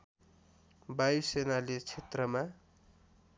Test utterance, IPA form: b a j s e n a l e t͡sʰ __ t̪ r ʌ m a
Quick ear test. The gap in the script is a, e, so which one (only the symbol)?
e